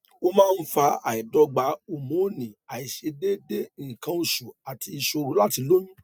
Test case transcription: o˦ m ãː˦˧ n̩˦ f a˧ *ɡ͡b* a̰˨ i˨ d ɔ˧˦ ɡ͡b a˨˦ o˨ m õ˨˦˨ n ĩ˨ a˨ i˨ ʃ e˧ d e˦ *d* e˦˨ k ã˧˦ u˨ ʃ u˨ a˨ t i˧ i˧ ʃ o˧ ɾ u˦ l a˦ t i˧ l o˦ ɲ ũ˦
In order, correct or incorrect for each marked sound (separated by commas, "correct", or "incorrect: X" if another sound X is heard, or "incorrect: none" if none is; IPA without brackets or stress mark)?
incorrect: none, correct